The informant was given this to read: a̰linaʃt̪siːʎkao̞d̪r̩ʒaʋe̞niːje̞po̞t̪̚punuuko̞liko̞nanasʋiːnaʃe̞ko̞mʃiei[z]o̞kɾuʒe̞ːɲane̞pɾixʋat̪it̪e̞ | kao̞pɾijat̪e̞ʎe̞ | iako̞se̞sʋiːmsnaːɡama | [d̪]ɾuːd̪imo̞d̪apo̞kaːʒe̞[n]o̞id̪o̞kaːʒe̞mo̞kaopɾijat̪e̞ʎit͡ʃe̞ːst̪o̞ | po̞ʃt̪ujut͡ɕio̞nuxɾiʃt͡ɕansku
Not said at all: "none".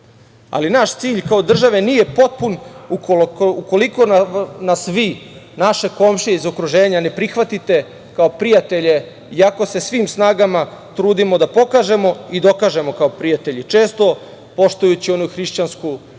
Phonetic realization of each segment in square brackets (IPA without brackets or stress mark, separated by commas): z, t̪, m